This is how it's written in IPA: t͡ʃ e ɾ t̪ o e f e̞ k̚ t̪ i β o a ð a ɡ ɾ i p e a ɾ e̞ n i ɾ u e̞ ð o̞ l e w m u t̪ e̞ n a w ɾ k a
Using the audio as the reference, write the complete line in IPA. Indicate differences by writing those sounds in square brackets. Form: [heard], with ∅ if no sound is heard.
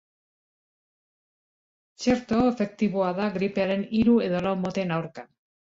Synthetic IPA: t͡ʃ e ɾ t̪ o e f e̞ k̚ t̪ i β o a ð a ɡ ɾ i p e a ɾ e̞ n i ɾ u e̞ ð o̞ l [a] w m [o] t̪ e̞ n a w ɾ k a